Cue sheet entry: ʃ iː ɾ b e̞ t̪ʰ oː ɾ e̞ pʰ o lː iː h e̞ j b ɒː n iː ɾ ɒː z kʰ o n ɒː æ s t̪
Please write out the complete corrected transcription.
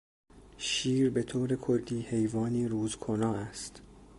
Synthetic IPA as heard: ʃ iː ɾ b e̞ t̪ʰ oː ɾ e̞ kʰ o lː iː h e̞ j v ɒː n iː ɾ uː z kʰ o n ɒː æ s t̪

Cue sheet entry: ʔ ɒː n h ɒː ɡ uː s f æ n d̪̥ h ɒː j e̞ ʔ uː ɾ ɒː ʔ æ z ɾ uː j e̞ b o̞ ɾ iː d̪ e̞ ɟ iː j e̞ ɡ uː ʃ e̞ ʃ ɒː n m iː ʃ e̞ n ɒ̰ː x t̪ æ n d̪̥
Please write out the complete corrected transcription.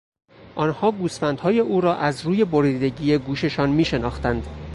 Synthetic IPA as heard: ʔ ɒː n h ɒː ɡ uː s f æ n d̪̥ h ɒː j e̞ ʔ uː ɾ ɒː ʔ æ z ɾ uː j e̞ b o̞ ɾ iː d̪ e̞ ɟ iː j e̞ ɡ uː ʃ e̞ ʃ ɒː n m iː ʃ e̞ n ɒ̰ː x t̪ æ n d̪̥

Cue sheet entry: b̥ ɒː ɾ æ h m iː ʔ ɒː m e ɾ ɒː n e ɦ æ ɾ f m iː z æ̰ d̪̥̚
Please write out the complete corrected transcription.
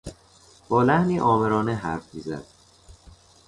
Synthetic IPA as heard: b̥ ɒː l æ h n iː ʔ ɒː m e ɾ ɒː n e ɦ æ ɾ f m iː z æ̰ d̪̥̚

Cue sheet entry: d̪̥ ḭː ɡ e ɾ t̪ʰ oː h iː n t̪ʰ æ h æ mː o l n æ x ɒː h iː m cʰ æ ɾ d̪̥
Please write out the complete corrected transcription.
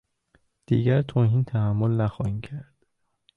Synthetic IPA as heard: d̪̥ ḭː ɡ æ ɾ t̪ʰ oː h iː n t̪ʰ æ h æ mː o l n æ x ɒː h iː m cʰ æ ɾ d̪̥

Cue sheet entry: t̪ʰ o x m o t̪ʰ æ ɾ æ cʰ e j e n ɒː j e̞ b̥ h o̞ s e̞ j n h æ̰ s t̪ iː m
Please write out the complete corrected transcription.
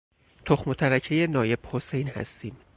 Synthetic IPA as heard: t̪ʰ o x m o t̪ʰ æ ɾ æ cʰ e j e n ɒː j e̞ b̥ h o̞ s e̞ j n h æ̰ s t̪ iː m

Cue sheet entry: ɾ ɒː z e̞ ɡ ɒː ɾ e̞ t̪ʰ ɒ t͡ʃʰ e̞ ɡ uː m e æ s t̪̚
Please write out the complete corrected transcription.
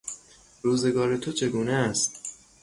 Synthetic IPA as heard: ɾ uː z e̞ ɡ ɒː ɾ e̞ t̪ʰ o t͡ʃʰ e̞ ɡ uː n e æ s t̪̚

